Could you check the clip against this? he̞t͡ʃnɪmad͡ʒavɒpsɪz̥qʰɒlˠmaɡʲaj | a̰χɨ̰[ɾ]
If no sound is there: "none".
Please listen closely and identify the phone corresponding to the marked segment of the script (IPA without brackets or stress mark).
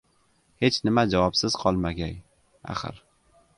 ɾ